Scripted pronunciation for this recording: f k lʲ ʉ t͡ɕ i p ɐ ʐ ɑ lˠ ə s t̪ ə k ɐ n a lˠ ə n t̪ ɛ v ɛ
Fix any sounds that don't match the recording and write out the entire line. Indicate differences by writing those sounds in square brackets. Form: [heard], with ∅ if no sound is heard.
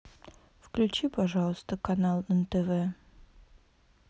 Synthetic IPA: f k lʲ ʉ t͡ɕ i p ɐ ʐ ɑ lˠ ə s t̪ ə k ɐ n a lˠ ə n t̪ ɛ v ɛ